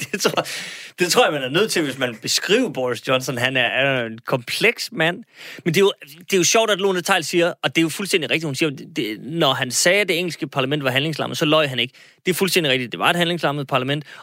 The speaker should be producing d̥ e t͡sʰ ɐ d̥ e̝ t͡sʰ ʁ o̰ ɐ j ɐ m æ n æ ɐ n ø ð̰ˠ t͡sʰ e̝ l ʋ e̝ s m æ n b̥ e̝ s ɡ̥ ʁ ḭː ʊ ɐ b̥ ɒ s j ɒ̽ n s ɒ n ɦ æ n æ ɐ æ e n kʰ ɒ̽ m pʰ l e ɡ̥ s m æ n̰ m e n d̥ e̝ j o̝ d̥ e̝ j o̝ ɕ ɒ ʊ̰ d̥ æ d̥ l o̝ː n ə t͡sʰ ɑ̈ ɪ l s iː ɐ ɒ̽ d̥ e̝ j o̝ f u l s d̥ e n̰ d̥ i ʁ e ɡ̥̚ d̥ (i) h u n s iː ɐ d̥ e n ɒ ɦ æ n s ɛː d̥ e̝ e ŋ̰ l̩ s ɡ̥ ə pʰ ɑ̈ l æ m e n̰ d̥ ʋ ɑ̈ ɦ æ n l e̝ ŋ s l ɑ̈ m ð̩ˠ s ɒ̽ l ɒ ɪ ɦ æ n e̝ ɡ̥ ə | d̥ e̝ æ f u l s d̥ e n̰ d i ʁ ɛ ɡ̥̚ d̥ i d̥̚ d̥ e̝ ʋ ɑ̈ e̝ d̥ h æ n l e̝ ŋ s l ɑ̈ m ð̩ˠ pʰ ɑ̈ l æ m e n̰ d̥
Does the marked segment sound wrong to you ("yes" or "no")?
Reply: no